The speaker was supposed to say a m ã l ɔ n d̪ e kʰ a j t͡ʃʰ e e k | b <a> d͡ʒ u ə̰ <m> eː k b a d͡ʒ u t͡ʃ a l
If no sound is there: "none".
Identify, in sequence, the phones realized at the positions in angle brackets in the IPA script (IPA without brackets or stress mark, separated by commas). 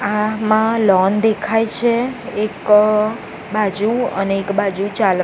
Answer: a, n